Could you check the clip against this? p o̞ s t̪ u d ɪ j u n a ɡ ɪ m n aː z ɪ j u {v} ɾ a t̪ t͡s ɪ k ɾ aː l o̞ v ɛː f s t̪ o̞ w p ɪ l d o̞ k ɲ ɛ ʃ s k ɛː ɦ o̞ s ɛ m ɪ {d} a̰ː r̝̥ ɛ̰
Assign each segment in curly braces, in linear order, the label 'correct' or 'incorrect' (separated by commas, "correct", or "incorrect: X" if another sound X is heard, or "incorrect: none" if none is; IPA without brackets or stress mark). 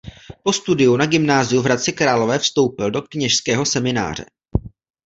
correct, incorrect: n